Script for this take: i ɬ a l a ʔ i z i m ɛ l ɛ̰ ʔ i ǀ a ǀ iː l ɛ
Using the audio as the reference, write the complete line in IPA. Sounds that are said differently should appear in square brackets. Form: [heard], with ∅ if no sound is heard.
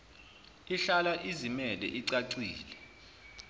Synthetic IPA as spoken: i ɬ a l a ʔ i z i m ɛ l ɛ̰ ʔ i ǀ a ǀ iː l ɛ